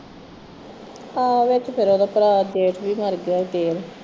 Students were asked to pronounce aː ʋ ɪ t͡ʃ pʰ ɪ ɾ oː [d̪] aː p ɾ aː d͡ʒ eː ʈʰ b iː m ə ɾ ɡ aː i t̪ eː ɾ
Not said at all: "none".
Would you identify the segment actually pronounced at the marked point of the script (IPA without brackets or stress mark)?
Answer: d̪